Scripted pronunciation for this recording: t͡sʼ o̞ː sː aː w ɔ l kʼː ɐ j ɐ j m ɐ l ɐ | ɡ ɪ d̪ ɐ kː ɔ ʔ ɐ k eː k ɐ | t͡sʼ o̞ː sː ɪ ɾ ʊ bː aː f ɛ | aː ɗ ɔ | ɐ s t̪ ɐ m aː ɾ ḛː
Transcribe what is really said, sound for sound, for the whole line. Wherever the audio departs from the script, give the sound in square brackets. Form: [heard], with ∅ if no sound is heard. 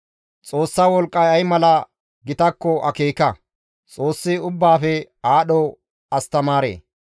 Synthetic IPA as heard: t͡sʼ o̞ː sː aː w ɔ l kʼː ɐ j ɐ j m ɐ l ɐ | ɡ ɪ [t̪] ɐ kː ɔ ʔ ɐ k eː k ɐ | t͡sʼ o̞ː sː ɪ [∅] ʊ bː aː f ɛ | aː ɗ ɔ | ɐ s t̪ ɐ m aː ɾ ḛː